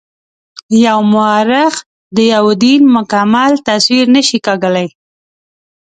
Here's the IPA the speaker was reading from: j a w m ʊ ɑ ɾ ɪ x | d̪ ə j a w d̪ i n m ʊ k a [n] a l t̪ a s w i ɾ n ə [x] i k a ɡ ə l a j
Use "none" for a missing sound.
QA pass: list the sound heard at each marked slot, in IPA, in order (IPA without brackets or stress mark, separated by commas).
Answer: m, ʃ